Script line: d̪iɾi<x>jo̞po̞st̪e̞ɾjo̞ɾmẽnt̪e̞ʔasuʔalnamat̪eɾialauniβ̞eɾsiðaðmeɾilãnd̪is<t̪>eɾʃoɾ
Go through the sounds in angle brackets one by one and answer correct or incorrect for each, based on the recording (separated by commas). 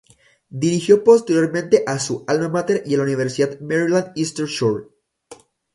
correct, correct